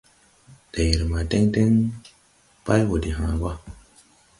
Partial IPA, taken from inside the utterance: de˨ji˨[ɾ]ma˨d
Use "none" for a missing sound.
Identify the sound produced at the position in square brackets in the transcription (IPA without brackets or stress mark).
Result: ɾ